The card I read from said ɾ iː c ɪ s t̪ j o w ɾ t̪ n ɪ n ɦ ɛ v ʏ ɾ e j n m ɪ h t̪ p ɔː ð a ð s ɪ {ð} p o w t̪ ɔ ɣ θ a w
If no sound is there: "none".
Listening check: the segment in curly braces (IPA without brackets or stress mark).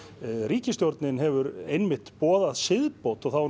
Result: ð